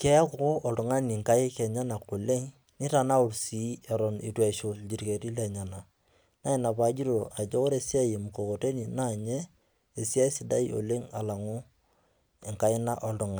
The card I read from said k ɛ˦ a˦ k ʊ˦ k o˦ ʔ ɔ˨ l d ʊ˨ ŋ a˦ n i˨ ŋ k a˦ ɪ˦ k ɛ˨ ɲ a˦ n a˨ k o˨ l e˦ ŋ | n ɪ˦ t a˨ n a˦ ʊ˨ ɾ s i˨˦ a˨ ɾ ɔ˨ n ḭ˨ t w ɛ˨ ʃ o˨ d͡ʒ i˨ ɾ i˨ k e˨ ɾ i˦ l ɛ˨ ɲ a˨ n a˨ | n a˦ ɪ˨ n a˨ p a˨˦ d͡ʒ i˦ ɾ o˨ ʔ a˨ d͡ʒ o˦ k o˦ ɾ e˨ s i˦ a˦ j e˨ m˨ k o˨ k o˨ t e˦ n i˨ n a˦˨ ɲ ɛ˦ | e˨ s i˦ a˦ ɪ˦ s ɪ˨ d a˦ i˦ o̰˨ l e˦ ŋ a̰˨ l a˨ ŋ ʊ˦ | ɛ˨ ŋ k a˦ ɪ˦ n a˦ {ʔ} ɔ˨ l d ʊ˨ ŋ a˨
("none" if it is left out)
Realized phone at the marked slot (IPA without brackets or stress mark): ʔ